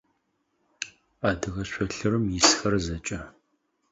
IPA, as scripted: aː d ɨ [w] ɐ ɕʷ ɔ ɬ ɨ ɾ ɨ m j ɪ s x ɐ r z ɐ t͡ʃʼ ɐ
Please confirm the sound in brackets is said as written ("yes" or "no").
no